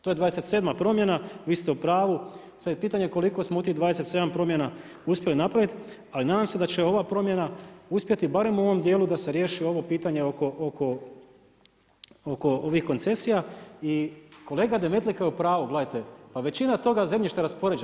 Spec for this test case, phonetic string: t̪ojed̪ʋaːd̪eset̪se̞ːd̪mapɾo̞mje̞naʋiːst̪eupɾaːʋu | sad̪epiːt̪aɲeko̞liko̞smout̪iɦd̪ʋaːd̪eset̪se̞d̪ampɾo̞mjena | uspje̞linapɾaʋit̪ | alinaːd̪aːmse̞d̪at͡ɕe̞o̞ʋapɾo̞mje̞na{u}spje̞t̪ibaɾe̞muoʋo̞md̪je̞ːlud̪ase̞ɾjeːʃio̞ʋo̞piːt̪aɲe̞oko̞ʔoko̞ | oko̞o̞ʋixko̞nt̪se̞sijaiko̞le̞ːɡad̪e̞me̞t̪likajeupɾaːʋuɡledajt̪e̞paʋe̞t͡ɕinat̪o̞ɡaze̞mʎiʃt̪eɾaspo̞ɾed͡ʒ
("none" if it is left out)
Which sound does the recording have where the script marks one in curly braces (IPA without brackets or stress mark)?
u